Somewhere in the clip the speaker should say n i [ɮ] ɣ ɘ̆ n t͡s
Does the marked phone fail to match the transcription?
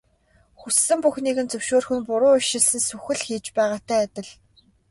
yes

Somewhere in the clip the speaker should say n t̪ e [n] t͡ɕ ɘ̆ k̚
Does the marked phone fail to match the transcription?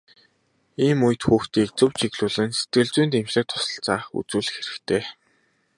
yes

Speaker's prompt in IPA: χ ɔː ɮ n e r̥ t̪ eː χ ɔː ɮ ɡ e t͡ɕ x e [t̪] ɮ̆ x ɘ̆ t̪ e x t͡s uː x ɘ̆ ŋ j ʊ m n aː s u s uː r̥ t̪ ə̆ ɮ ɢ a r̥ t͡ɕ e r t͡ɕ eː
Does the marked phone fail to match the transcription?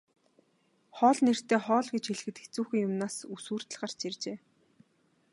yes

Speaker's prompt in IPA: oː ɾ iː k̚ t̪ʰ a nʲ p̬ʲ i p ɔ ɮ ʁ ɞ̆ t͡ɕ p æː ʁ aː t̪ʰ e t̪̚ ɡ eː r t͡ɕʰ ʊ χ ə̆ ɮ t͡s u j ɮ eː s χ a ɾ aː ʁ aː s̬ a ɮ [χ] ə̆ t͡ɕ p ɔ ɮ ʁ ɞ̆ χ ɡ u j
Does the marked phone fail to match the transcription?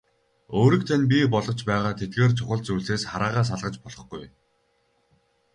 yes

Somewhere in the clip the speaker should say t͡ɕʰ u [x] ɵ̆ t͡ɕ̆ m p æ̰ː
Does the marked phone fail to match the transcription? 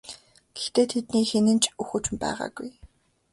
no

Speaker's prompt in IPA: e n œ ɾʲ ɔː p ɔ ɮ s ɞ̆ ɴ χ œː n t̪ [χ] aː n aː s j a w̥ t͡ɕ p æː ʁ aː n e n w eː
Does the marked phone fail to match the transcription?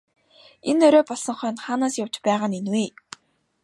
no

